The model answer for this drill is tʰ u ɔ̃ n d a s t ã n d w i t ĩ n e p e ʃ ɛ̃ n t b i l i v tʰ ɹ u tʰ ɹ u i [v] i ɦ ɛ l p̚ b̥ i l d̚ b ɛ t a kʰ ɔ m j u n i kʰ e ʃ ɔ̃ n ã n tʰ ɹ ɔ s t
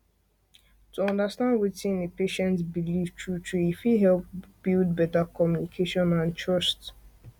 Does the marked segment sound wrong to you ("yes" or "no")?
yes